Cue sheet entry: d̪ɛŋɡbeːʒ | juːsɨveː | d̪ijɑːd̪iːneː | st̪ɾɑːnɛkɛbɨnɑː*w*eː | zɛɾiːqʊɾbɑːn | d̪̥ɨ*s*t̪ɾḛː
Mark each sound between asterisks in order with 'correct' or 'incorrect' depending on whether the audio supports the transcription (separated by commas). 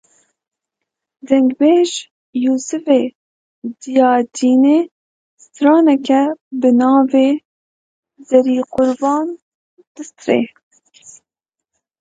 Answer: incorrect, correct